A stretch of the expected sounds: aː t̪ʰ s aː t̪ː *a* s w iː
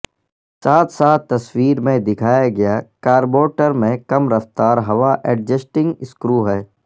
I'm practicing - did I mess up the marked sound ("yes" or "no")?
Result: yes